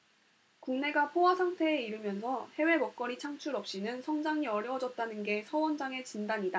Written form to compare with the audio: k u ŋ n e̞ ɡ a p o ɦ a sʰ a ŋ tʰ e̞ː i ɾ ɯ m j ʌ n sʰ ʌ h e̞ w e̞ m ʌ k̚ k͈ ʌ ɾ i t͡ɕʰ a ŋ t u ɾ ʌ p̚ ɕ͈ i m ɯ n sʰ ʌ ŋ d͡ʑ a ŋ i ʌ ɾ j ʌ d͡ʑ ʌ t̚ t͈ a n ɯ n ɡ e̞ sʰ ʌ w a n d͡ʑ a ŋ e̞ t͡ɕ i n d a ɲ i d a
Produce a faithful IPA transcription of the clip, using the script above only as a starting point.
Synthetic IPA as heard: k u ŋ n e̞ ɡ a pʰ o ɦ a sʰ a ŋ tʰ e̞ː i ɾ ɯ m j ʌ n sʰ ʌ h e̞ w e̞ m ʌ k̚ k͈ ʌ ɾ i t͡ɕʰ a ŋ t͡ɕʰ u ɾ ʌ p̚ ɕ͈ i n ɯ n sʰ ʌ ŋ d͡ʑ a ŋ i ʌ ɾ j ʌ d͡ʑ ʌ t̚ t͈ a n ɯ n ɡ e̞ sʰ ʌ w ʌ n d͡ʑ a ŋ e̞ t͡ɕ i n d a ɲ i d a

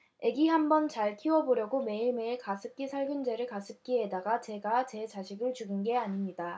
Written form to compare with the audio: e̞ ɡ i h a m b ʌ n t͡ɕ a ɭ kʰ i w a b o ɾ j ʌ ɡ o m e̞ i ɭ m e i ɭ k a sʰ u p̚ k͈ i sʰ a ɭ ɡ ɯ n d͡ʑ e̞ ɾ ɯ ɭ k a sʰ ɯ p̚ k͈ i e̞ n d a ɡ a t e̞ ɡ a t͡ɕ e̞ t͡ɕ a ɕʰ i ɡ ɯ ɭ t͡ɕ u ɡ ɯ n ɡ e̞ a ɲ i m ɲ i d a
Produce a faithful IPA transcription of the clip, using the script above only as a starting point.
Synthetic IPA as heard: e̞ ɡ i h a m b ʌ n t͡ɕ a ɭ kʰ i w ʌ b o ɾ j ʌ ɡ o m e̞ i ɭ m e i ɭ k a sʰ ɯ p̚ k͈ i sʰ a ɭ ɡ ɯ n d͡ʑ e̞ ɾ ɯ ɭ k a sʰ ɯ p̚ k͈ i e̞ d a ɡ a t͡ɕ e̞ ɡ a t͡ɕ e̞ t͡ɕ a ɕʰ i ɡ ɯ ɭ t͡ɕ u ɡ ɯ n ɡ e̞ a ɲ i m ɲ i d a

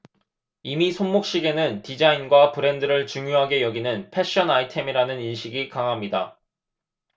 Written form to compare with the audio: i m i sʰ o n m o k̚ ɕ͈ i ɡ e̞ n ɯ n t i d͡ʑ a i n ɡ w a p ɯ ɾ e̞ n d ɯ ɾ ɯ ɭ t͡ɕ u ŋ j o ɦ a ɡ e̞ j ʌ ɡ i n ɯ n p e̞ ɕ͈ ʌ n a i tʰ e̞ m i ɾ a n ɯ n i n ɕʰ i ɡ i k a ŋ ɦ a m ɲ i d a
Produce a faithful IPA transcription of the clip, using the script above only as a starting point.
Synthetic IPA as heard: i m i sʰ o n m o k̚ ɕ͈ i ɡ e̞ n ɯ n t i d͡ʑ a i n ɡ w a p ɯ ɾ e̞ n d ɯ ɾ ɯ ɭ t͡ɕ u ŋ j o ɦ a ɡ e̞ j ʌ ɡ i n ɯ n pʰ e̞ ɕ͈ ʌ n a i tʰ e̞ m i ɾ a n ɯ n i n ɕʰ i ɡ i k a ŋ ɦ a m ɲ i d a

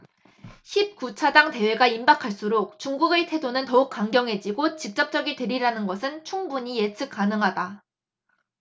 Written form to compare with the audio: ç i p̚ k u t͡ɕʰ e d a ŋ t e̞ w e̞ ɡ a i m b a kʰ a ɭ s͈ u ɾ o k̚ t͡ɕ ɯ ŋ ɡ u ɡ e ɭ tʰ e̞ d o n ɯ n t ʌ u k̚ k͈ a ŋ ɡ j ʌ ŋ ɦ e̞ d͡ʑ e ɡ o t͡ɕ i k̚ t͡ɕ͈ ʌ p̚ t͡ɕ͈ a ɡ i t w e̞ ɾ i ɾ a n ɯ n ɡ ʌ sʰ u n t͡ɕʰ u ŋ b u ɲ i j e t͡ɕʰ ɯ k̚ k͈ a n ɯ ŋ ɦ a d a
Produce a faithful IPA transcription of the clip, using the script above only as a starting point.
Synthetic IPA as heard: ç i p̚ k u t͡ɕʰ a d a ŋ t e̞ w e̞ ɡ a i m b a kʰ a ɭ s͈ u ɾ o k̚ t͡ɕ u ŋ ɡ u ɡ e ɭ tʰ e̞ d o n ɯ n t ʌ u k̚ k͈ a ŋ ɡ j ʌ ŋ ɦ e̞ d͡ʑ i ɡ o t͡ɕ i k̚ t͡ɕ͈ ʌ p̚ t͡ɕ͈ ʌ ɡ i t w e̞ ɾ i ɾ a n ɯ n ɡ ʌ sʰ ɯ n t͡ɕʰ u ŋ b u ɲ i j e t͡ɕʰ ɯ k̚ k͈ a n ɯ ŋ ɦ a d a

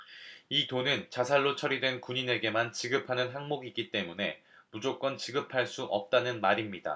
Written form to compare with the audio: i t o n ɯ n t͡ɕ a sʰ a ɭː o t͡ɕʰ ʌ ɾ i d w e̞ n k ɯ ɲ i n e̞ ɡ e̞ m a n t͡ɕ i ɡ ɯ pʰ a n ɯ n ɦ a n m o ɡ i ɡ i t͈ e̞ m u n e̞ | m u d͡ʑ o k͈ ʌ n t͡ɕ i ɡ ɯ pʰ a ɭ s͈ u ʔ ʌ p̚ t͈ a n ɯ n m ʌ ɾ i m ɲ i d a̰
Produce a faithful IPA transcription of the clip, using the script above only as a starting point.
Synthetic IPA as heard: i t o n ɯ n t͡ɕ a sʰ a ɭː o t͡ɕʰ ʌ ɾ i d w e̞ n k u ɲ i n e̞ ɡ e̞ m a n t͡ɕ i ɡ ɯ pʰ a n ɯ n ɦ a ŋ m o ɡ i ɡ i t͈ e̞ m u n e̞ | m u d͡ʑ o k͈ ʌ n t͡ɕ i ɡ ɯ pʰ a ɭ s͈ u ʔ ʌ p̚ t͈ a n ɯ n m a ɾ i m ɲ i d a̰

